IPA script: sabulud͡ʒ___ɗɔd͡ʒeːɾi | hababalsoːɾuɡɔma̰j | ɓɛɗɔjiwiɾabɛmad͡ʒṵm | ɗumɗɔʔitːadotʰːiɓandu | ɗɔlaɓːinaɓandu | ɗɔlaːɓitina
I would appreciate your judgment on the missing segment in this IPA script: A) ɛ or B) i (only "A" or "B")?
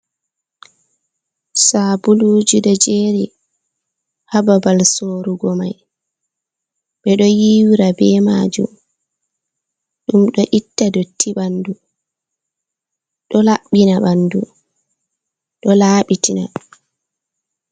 B